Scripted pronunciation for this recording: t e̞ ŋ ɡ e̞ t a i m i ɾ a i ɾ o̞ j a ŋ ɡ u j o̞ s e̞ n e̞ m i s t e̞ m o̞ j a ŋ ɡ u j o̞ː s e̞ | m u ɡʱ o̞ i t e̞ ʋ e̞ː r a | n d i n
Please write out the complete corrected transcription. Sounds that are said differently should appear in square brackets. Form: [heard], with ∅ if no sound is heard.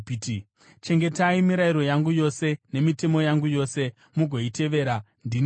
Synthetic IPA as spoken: [t͡ʃ] e̞ ŋ ɡ e̞ t a i m i ɾ a i ɾ o̞ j a ŋ ɡ u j o̞ s e̞ n e̞ m i [∅] t e̞ m o̞ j a ŋ ɡ u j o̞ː s e̞ | m u ɡʱ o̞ i t e̞ ʋ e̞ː [ɾ] a | n d i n